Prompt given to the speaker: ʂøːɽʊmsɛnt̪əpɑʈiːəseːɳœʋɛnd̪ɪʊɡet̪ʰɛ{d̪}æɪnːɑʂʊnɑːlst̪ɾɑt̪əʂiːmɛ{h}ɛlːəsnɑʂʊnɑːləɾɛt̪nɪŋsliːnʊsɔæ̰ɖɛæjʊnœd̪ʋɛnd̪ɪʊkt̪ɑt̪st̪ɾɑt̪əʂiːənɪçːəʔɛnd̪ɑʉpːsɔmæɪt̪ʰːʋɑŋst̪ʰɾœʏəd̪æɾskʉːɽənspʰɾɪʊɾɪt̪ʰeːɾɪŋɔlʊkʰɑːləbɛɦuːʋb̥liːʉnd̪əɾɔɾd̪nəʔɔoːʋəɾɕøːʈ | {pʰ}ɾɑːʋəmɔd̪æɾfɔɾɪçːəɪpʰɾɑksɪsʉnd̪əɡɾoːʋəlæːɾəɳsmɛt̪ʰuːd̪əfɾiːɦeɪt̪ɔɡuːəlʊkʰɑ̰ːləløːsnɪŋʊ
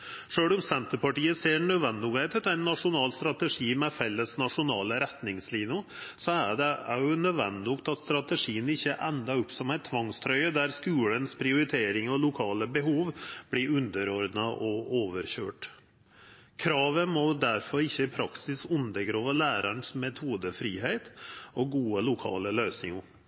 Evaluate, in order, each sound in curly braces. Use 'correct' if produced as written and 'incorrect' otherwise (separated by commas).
incorrect, incorrect, incorrect